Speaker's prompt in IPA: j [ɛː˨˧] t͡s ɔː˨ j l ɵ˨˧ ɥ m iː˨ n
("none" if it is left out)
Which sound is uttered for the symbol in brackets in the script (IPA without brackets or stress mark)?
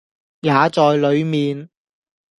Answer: aː˨˧